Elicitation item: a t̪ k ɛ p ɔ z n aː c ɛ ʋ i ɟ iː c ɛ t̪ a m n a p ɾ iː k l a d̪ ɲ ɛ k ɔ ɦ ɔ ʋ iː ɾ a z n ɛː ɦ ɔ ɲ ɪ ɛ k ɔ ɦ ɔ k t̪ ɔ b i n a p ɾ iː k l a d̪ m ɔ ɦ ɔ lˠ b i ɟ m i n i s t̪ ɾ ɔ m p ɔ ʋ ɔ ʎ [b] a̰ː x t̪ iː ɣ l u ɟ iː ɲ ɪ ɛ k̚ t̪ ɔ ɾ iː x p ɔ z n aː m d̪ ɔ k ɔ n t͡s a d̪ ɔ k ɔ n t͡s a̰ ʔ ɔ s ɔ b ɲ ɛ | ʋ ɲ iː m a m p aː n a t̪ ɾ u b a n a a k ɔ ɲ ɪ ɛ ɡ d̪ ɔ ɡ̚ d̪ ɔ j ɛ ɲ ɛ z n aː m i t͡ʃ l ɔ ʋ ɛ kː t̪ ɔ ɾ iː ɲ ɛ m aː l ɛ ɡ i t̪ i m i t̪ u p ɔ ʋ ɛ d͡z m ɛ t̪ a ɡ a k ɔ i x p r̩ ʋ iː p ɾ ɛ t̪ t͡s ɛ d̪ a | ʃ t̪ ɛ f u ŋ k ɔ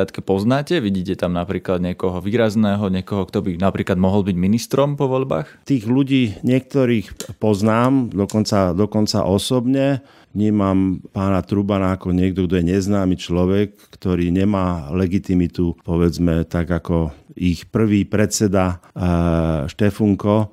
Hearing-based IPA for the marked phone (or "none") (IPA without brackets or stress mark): b